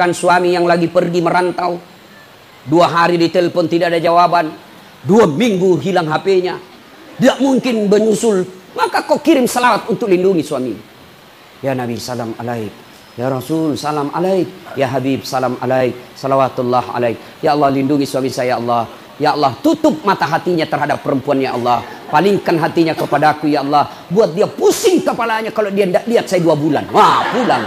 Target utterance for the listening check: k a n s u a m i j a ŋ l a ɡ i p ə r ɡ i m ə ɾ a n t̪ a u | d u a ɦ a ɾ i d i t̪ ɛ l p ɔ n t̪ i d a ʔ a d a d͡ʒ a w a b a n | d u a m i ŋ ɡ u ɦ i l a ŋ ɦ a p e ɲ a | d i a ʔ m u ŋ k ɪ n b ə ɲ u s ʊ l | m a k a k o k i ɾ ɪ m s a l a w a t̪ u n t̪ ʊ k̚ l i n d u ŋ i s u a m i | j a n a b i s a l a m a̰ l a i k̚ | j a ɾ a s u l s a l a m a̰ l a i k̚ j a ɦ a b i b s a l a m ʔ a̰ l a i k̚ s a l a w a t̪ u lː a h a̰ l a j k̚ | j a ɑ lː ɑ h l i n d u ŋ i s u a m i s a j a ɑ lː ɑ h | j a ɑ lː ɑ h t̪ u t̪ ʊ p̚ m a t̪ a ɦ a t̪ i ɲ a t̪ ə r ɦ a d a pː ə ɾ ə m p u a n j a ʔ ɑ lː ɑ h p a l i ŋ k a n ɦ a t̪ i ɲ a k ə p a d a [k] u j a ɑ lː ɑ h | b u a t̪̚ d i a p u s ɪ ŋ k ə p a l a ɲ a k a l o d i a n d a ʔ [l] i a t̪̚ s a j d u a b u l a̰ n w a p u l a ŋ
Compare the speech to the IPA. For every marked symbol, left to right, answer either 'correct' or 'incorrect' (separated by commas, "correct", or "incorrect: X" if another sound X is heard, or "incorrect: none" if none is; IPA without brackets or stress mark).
correct, correct